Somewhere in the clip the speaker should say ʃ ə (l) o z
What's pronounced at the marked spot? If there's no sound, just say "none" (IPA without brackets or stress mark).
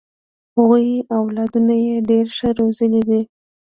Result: ɾ